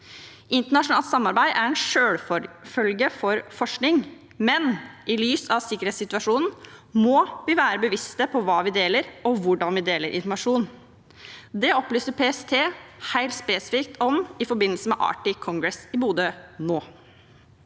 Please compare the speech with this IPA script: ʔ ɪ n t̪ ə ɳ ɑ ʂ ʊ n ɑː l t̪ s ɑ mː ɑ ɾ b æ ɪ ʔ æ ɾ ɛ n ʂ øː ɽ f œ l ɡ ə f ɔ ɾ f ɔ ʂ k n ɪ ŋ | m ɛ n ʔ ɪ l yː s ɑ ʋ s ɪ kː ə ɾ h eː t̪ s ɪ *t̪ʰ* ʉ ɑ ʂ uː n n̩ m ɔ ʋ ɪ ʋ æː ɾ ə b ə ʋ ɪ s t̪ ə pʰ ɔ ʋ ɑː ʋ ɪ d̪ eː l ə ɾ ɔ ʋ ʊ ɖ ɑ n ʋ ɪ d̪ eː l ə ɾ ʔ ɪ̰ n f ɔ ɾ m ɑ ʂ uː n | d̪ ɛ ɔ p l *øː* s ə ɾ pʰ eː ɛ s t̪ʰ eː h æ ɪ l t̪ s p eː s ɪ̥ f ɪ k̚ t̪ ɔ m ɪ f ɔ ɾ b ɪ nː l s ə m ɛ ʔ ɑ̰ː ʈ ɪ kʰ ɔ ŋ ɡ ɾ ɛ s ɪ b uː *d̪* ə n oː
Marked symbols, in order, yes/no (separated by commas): no, no, yes